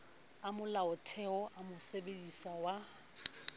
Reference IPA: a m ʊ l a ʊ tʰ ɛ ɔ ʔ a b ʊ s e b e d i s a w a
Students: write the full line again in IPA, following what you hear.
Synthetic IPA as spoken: a m ʊ l a ʊ tʰ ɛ ɔ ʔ a m ʊ s e b e d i s a w a